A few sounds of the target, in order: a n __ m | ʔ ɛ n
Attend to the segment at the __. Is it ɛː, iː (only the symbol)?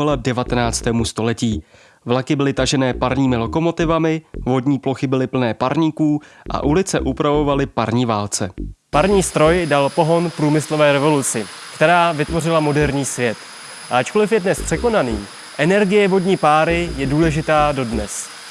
iː